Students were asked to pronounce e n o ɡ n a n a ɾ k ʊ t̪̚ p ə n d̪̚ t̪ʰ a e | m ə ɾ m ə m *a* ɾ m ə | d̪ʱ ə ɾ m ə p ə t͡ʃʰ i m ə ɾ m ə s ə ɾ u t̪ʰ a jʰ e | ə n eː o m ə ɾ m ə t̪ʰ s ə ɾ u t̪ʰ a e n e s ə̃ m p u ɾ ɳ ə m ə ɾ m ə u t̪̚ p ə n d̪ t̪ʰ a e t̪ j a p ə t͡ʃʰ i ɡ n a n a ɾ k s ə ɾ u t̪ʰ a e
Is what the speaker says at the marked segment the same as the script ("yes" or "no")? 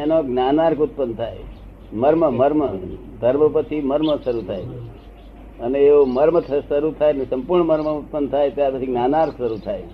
no